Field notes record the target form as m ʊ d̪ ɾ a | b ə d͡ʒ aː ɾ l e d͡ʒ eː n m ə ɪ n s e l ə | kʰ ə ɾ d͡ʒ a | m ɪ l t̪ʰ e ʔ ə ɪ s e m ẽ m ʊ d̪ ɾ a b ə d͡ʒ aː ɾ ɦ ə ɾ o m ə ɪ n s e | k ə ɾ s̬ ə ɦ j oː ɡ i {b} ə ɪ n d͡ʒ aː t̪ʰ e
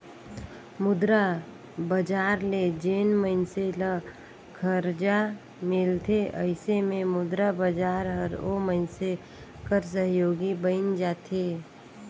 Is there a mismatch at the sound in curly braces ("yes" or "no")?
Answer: no